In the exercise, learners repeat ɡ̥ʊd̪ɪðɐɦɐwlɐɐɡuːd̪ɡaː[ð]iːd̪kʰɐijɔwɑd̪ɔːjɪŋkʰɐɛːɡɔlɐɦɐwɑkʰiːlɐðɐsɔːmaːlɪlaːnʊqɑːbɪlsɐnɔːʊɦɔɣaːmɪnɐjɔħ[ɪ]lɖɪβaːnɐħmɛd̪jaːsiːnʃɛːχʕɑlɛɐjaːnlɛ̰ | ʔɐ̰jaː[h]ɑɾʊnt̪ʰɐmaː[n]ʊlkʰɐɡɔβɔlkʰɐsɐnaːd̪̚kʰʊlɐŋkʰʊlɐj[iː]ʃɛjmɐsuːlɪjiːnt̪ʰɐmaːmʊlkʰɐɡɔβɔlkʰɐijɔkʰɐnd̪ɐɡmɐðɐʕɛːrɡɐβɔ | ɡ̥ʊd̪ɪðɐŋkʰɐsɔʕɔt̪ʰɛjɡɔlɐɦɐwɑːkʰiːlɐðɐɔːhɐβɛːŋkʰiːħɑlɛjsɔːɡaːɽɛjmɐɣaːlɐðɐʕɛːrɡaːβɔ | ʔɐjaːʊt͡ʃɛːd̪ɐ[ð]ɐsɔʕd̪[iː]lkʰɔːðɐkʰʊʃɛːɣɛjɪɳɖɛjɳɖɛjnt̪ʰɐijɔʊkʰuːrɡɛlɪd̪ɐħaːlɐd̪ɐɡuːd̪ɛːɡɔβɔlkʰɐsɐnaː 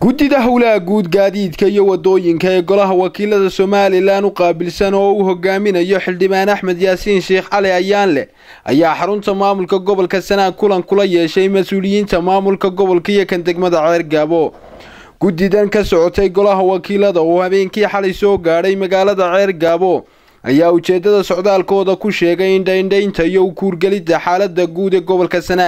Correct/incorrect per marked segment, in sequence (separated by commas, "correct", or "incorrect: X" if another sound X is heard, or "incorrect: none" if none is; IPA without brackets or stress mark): correct, correct, incorrect: ħ, incorrect: m, incorrect: ɛː, correct, incorrect: aː